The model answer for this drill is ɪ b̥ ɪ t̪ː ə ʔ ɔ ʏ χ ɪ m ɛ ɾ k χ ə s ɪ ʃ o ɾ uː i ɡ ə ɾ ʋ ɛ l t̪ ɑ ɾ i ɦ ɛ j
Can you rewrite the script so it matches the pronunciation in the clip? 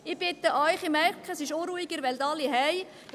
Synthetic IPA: ɪ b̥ ɪ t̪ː ə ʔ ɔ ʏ χ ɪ m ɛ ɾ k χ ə s ɪ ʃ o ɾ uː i ɡ ə ɾ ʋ ɛ l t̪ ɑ l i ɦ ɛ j